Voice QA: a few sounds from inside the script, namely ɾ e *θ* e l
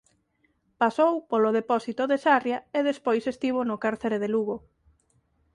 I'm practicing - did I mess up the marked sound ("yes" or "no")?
yes